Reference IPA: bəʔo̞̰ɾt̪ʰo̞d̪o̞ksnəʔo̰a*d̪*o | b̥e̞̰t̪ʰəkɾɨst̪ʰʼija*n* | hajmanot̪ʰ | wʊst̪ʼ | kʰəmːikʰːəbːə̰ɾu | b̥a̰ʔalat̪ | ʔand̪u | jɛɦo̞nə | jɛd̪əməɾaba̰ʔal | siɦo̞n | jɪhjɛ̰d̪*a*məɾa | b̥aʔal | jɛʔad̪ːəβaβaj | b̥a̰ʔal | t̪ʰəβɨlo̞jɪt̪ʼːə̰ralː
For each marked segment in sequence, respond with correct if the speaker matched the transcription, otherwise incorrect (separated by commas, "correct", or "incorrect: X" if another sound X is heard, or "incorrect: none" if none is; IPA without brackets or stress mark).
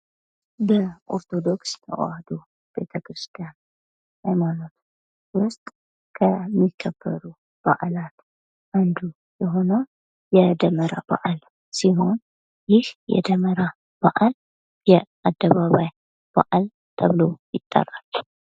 correct, correct, incorrect: ə